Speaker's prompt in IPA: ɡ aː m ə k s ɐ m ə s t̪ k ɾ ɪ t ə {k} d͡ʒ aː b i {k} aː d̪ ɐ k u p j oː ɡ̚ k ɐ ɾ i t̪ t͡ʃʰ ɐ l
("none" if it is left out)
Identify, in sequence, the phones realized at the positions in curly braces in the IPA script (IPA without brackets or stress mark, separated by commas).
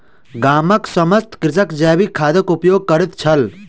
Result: k, kʰ